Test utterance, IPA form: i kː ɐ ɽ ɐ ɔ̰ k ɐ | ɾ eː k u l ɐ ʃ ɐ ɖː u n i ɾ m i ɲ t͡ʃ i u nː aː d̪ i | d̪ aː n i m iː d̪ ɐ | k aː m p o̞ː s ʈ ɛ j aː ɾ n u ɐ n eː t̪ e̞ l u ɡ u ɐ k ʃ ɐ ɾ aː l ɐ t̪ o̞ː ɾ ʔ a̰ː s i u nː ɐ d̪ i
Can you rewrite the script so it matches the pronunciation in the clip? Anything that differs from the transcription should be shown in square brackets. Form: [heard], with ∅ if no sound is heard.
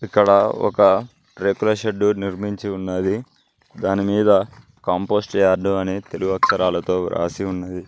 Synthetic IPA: i kː ɐ ɽ ɐ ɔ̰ k ɐ | ɾ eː k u l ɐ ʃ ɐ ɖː u n i ɾ m i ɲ t͡ʃ i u nː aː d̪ i | d̪ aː n i m iː d̪ ɐ | k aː m p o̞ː s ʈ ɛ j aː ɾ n u ɐ n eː t̪ e̞ l u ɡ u ɐ k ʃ ɐ ɾ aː l ɐ t̪ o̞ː ɾ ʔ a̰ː s i u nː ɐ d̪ i